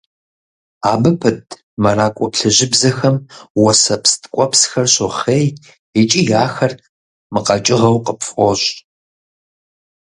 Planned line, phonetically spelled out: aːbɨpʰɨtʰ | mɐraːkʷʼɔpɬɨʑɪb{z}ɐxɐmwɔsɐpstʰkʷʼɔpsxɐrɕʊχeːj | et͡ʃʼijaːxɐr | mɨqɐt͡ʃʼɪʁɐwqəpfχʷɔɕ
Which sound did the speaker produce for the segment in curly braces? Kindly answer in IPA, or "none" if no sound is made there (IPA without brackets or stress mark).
z